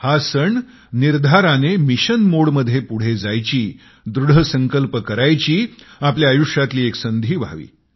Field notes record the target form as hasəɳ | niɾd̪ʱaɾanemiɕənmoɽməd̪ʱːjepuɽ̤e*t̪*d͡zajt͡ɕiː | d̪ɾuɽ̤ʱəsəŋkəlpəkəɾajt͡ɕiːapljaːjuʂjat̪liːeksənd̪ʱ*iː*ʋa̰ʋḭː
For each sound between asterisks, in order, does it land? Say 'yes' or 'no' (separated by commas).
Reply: no, yes